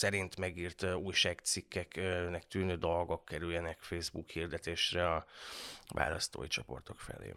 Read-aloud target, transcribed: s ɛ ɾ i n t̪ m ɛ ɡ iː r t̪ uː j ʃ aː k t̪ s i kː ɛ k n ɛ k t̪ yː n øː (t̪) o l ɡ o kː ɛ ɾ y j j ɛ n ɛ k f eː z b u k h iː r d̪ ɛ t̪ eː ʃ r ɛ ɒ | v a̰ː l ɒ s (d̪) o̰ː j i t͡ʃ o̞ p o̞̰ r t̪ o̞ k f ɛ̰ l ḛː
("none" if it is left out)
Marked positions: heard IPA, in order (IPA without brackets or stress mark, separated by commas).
d̪, t̪